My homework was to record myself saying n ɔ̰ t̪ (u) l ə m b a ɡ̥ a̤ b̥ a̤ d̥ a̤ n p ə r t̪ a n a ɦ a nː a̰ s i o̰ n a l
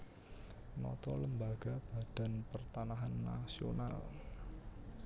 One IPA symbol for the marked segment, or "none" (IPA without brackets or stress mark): ɔ